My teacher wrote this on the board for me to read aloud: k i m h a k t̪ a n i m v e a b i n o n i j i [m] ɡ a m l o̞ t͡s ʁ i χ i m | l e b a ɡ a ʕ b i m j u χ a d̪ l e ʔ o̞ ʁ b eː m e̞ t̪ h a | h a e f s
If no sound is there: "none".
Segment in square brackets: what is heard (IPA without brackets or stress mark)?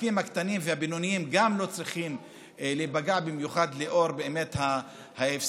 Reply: m